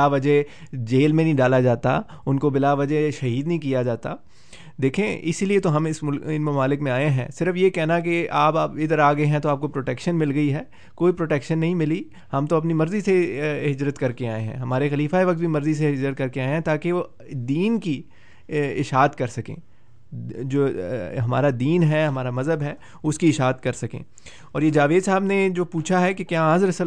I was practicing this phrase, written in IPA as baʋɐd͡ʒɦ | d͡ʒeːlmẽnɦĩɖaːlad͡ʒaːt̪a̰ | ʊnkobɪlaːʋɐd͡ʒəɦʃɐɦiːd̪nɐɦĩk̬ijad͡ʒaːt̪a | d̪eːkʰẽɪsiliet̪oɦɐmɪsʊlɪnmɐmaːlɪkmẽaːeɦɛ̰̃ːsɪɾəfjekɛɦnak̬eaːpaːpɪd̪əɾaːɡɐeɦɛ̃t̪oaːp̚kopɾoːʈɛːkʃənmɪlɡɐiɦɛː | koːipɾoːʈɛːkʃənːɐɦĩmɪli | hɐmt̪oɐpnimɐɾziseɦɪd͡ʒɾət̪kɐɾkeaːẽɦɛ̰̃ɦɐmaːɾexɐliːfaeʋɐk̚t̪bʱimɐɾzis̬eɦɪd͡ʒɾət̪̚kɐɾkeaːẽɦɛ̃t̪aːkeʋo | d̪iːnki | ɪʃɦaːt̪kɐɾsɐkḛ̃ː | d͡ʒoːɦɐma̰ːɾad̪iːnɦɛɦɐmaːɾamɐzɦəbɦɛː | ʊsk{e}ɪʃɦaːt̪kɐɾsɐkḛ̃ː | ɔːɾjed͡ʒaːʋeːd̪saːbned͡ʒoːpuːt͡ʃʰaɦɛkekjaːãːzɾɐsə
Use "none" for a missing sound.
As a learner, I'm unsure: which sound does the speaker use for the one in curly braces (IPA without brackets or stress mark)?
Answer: i